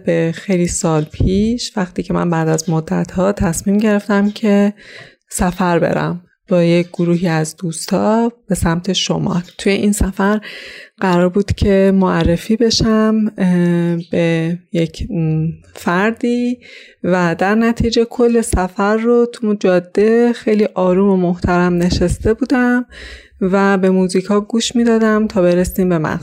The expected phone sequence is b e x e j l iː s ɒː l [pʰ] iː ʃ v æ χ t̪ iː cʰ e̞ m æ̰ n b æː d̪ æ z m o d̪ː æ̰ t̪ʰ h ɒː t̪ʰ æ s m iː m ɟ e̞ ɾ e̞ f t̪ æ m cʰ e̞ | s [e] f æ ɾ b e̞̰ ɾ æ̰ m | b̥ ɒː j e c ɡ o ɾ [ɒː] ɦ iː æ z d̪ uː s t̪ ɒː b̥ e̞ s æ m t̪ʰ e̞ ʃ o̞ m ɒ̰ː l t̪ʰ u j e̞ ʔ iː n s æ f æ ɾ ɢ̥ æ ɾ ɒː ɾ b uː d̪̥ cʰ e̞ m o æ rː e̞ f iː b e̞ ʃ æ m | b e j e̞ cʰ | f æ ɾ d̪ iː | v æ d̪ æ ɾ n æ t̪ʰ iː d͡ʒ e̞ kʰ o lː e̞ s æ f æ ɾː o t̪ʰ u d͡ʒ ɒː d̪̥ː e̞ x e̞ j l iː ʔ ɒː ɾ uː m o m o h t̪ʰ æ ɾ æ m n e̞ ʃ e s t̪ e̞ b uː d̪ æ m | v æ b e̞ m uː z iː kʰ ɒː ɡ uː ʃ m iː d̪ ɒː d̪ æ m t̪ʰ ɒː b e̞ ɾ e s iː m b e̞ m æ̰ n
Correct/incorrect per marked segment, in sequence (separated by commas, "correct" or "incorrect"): correct, incorrect, incorrect